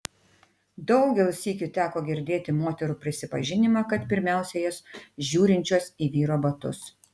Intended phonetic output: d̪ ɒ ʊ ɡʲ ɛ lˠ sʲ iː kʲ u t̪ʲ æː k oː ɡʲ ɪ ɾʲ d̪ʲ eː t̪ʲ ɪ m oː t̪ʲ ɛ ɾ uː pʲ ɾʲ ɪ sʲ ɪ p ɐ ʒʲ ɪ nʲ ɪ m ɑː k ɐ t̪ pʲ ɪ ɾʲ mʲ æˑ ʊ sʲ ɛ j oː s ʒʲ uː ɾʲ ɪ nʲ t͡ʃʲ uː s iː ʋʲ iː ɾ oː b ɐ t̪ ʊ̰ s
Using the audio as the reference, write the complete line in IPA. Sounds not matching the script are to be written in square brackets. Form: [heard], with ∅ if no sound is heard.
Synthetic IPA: d̪ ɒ ʊ ɡʲ ɛ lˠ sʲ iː kʲ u t̪ʲ æː k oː ɡʲ ɪ ɾʲ d̪ʲ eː t̪ʲ ɪ m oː t̪ʲ ɛ ɾ uː pʲ ɾʲ ɪ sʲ ɪ p ɐ ʒʲ ɪ nʲ ɪ m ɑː k ɐ t̪ pʲ ɪ ɾʲ mʲ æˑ ʊ sʲ ɛ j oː s ʒʲ uː ɾʲ ɪ nʲ t͡ʃʲ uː s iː ʋʲ iː ɾ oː b ɐ t̪ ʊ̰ s